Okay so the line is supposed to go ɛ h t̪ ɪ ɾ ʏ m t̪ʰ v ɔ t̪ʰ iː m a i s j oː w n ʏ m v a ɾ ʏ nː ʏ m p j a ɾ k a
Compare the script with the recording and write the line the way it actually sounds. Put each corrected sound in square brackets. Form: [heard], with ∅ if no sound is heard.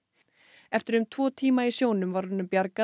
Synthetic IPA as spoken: ɛ [f] t̪ ɪ ɾ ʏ m t̪ʰ v [ɔː] t̪ʰ iː m a i s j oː w n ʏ m v a ɾ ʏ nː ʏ m p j a ɾ k a